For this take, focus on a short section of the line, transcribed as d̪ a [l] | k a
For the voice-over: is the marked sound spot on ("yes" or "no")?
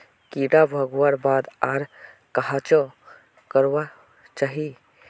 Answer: no